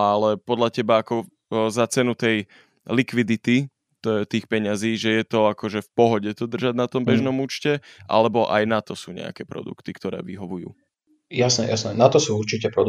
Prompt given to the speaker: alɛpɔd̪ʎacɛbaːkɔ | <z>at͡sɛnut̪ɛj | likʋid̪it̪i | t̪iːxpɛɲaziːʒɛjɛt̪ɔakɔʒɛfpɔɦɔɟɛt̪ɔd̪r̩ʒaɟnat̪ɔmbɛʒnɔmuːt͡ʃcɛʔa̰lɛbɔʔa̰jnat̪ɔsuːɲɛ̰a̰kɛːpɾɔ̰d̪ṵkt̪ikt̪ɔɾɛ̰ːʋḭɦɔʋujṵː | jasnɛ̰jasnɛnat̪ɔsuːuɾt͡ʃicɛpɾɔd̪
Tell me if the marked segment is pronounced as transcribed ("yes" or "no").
yes